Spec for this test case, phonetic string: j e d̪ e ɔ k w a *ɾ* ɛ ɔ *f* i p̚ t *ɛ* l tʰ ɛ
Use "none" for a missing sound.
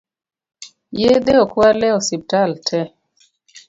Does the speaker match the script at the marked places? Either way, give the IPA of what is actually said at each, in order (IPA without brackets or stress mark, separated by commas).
l, s, a